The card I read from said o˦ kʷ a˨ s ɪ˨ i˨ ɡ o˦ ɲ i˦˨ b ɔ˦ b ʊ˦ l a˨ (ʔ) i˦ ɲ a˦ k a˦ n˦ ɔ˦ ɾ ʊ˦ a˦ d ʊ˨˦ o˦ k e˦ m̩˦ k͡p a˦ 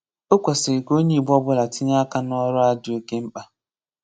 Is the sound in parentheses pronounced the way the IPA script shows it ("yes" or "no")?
no